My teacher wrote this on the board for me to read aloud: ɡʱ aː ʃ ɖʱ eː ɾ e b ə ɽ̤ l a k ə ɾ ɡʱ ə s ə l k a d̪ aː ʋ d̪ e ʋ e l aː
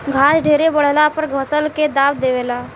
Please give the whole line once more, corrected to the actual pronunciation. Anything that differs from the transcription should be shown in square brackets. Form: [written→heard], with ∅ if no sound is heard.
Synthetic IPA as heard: ɡʱ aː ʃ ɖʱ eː ɾ e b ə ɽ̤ l a [k→p] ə ɾ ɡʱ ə s ə l k [a→e] d̪ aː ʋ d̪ e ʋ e l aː